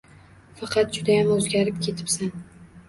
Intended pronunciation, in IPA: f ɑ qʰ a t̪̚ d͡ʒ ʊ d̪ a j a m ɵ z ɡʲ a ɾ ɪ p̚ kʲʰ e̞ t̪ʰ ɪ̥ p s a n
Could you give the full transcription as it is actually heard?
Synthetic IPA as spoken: f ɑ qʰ ɑ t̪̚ d͡ʒ ʊ d̪ a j a m ɵ z ɡʲ a ɾ ɪ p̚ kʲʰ e̞ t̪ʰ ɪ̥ p s a n